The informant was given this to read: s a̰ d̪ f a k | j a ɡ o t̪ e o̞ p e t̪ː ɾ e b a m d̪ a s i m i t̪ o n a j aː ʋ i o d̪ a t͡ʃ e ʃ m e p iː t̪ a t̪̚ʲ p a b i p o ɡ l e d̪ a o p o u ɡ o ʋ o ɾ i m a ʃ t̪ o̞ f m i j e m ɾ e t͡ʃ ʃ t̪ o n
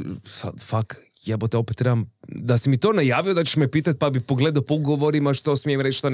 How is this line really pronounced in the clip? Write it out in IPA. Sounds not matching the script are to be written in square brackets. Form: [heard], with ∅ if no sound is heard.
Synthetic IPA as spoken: s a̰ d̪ f a k | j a [b] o t̪ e o̞ p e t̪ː ɾ e b a m d̪ a s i m i t̪ o n a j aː ʋ i o d̪ a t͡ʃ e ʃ m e p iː t̪ a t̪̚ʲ p a b i p o ɡ l e d̪ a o p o u ɡ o ʋ o ɾ i m a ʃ t̪ o̞ [s] m i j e m ɾ e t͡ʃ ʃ t̪ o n